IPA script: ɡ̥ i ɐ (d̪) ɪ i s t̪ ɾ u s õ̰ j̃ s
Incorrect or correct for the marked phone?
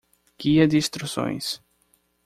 correct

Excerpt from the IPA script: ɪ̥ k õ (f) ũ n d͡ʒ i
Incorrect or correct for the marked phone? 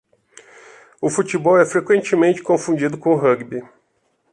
correct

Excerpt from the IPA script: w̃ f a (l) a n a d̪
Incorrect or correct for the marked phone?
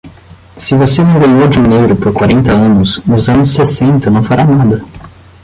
incorrect: ɾ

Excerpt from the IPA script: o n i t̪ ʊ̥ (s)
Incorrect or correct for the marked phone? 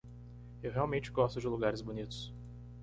correct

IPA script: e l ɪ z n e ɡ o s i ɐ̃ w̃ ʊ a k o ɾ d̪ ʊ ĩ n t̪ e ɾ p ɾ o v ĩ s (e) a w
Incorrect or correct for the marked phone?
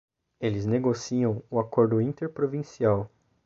incorrect: i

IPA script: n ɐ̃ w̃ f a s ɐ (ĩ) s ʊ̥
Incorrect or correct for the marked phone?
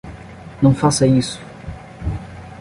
incorrect: i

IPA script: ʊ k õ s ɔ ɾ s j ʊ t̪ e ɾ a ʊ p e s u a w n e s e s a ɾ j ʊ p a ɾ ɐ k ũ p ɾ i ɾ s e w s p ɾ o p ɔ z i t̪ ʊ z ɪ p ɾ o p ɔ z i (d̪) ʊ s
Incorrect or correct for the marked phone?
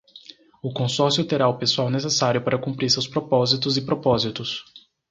incorrect: t̪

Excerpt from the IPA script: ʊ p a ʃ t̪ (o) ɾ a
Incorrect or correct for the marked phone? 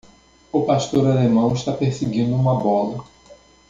correct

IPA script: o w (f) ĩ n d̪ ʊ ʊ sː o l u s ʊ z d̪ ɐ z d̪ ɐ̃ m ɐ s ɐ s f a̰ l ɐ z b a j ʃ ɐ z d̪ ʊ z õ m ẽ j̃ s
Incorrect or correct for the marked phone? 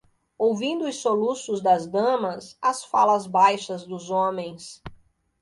incorrect: v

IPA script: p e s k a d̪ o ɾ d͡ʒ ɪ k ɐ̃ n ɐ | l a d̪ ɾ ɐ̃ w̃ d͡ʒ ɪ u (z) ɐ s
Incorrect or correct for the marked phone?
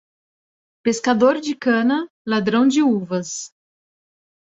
incorrect: v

